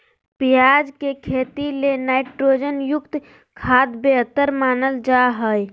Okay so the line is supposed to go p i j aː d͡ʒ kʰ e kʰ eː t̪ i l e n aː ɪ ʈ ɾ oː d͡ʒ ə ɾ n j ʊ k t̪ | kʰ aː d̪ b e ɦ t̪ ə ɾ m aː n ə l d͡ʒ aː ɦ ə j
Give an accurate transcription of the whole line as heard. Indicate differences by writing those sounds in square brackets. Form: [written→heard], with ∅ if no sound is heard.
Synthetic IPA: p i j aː d͡ʒ [kʰ→k] e kʰ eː t̪ i l e n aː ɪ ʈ ɾ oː d͡ʒ ə [ɾ→∅] n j ʊ k t̪ | kʰ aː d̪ b e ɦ t̪ ə ɾ m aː n ə l d͡ʒ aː ɦ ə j